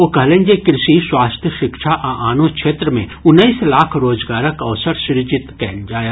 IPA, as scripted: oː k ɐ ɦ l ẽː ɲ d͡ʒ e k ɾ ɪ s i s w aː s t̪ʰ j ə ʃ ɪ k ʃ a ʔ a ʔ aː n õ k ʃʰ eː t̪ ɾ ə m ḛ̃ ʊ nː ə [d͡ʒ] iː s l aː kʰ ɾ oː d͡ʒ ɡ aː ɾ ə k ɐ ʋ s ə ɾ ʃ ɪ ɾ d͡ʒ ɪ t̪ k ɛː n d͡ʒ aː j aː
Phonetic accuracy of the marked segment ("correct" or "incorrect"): incorrect